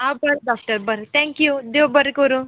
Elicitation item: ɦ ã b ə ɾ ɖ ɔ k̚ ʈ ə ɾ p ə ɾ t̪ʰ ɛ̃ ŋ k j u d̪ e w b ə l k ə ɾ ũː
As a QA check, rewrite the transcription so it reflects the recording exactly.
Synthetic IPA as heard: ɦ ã b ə ɾ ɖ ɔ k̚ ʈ ə ɾ b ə ɾ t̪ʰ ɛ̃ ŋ k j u d̪ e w b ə ɾ k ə ɾ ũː